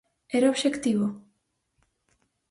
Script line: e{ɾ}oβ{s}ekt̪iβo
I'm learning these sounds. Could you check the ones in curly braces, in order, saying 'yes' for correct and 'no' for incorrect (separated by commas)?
yes, no